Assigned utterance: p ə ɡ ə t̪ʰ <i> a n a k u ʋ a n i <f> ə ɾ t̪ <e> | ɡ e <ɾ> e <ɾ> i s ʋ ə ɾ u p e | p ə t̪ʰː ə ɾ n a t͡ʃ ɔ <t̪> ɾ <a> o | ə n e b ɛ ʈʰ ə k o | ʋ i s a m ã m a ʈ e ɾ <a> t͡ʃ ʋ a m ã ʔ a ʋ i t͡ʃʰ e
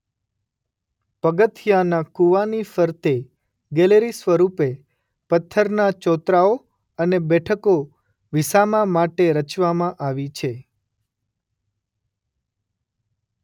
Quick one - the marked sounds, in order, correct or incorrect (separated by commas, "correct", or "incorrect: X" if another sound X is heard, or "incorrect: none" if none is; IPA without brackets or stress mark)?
incorrect: j, correct, correct, incorrect: l, correct, correct, correct, incorrect: ə